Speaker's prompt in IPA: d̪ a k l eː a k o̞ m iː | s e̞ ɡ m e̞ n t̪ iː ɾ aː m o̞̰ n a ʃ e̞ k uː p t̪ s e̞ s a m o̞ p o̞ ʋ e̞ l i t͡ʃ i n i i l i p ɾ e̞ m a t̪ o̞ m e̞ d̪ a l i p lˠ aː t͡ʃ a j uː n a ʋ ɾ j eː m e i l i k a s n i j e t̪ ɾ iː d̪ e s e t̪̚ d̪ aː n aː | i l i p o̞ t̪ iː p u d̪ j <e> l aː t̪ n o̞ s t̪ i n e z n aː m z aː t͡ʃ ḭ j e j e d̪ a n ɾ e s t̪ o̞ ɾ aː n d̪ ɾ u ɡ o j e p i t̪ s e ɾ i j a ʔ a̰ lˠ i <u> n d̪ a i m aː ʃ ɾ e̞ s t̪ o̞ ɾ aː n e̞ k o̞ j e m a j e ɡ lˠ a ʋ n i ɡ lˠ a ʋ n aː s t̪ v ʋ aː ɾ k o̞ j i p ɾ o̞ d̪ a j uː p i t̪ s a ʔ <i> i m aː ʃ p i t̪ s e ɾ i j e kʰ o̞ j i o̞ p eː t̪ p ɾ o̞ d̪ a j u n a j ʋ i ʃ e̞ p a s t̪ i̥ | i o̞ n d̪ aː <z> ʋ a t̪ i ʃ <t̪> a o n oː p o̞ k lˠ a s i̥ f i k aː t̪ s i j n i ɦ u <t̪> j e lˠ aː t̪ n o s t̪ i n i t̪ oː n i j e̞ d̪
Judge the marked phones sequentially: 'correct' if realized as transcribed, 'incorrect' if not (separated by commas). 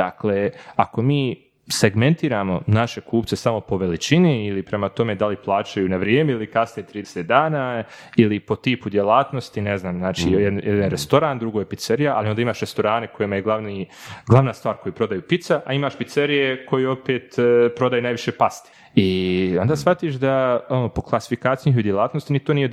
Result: correct, incorrect, incorrect, incorrect, incorrect, incorrect